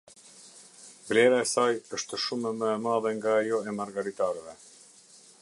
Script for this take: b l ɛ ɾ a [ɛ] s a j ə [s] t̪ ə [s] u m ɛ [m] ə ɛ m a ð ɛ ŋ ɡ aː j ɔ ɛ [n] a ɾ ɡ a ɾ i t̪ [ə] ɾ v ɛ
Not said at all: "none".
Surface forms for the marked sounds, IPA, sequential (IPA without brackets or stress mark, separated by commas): ɛ, ʃ, ʃ, m, m, a